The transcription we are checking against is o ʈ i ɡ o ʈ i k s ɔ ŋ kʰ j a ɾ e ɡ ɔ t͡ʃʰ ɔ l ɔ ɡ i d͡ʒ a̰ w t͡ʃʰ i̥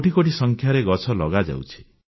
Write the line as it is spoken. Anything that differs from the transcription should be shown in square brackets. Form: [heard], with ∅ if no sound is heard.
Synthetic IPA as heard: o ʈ i [k] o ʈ i [∅] s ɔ ŋ kʰ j a ɾ e ɡ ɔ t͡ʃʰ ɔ l ɔ ɡ [a] d͡ʒ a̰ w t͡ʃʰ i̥